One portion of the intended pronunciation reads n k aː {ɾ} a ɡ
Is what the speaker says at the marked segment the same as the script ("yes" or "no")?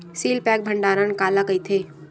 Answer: no